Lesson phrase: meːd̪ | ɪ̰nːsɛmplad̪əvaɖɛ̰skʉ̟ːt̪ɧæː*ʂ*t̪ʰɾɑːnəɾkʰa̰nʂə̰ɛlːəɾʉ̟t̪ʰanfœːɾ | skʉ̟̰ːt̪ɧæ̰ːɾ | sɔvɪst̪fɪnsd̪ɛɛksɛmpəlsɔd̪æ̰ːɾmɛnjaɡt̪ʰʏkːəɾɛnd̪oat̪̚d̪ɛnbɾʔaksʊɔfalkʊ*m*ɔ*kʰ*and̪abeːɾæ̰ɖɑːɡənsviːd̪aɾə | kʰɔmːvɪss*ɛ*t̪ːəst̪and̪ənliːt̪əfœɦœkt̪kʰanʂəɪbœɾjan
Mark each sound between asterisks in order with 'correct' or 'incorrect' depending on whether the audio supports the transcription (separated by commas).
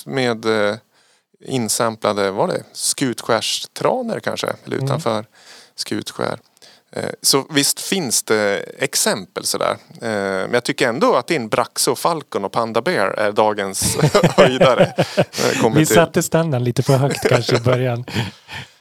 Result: correct, incorrect, incorrect, incorrect